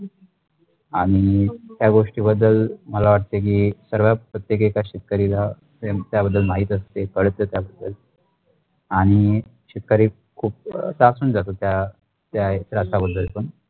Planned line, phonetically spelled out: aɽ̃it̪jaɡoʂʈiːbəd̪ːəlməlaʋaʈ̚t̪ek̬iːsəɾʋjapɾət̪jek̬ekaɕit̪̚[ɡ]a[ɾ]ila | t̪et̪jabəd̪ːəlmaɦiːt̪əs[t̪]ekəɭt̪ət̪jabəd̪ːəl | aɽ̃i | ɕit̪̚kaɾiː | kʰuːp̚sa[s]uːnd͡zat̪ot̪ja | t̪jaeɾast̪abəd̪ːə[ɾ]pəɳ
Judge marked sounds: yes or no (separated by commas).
no, yes, yes, yes, no